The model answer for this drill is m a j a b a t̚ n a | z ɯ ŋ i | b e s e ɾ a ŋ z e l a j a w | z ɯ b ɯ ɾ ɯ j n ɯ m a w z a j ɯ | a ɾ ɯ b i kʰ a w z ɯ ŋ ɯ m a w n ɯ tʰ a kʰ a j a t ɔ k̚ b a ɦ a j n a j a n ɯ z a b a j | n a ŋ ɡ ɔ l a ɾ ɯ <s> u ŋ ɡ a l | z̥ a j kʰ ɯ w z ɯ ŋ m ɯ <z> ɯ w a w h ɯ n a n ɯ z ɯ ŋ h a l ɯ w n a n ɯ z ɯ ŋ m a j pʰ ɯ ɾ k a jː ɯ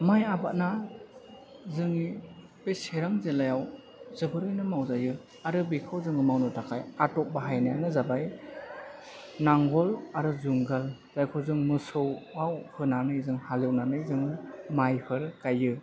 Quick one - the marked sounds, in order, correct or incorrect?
incorrect: z, incorrect: s

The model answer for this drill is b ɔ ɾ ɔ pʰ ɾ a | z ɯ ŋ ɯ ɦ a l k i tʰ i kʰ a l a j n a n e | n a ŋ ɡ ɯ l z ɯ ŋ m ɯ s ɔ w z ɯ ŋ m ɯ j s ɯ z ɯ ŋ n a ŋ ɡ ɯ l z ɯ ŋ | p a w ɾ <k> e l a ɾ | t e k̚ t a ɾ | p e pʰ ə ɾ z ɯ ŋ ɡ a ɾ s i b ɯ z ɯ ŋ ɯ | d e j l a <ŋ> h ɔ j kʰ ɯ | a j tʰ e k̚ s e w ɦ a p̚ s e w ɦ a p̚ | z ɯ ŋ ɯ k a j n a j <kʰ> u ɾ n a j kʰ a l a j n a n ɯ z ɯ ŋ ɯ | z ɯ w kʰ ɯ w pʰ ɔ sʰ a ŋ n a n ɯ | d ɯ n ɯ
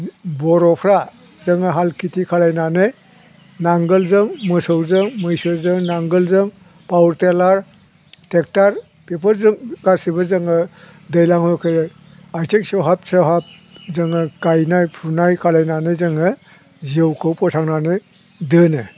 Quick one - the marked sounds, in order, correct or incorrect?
incorrect: t, correct, incorrect: pʰ

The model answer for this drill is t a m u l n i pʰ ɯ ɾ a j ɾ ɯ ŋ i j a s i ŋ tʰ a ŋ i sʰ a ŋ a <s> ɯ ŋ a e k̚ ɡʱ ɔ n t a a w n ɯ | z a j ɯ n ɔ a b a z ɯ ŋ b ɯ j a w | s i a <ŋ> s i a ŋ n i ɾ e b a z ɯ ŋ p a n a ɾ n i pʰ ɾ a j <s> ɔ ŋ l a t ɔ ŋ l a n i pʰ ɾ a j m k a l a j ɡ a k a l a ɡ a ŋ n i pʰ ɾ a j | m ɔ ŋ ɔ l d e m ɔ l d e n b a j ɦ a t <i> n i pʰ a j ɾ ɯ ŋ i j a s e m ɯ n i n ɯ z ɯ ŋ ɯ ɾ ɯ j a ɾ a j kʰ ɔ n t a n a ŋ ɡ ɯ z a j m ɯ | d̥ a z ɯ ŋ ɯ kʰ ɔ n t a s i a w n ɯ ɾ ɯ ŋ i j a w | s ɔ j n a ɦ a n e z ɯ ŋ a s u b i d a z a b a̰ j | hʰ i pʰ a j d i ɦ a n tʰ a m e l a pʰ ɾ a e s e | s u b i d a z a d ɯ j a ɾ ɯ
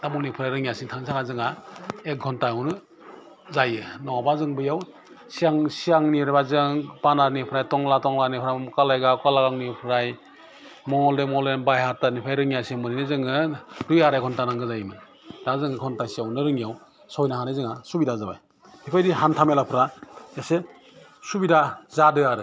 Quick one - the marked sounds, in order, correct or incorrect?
incorrect: z, correct, incorrect: t, incorrect: a

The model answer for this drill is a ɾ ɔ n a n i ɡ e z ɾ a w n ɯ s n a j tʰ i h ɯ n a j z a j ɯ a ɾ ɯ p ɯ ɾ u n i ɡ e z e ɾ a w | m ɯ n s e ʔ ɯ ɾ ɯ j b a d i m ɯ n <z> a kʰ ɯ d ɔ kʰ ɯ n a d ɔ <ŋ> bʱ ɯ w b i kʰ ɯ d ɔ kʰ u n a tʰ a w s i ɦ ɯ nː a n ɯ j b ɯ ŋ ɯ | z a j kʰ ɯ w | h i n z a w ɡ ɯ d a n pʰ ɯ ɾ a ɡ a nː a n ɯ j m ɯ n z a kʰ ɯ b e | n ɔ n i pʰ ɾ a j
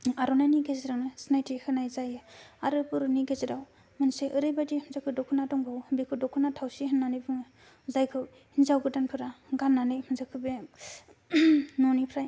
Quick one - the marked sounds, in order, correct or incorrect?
correct, correct

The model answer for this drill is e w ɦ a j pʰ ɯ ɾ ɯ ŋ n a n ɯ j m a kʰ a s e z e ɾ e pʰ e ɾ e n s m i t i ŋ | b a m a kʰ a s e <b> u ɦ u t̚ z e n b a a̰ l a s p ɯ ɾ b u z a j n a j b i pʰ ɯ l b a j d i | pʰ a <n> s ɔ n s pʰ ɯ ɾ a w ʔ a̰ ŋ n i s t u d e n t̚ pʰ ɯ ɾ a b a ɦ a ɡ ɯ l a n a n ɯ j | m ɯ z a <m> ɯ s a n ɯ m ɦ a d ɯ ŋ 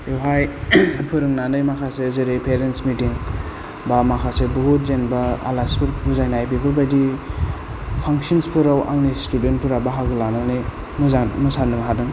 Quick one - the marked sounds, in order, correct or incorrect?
correct, incorrect: ŋ, correct

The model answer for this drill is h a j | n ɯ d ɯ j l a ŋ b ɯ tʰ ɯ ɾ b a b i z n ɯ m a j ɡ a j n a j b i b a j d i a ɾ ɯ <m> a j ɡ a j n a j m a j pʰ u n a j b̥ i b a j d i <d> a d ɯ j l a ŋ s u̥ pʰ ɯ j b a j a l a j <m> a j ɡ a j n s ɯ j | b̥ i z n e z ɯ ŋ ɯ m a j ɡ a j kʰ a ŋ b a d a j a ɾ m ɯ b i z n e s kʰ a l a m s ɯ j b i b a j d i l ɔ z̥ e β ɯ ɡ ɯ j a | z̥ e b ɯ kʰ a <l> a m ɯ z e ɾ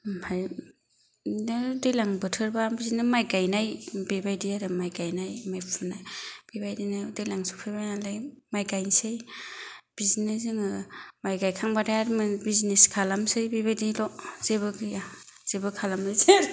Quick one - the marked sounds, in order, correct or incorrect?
correct, incorrect: n, correct, correct

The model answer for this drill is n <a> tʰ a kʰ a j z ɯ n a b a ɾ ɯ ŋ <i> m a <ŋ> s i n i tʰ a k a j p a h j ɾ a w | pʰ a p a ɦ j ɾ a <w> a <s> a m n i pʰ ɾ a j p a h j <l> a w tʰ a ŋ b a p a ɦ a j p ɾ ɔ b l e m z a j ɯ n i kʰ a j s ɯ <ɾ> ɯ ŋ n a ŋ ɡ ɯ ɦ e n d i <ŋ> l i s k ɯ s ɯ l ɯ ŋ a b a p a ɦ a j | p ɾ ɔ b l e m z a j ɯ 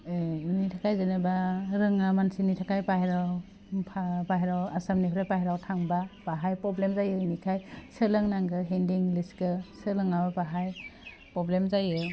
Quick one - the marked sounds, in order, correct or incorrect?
incorrect: i, incorrect: a, incorrect: n, correct, correct, incorrect: ɾ, incorrect: l, correct

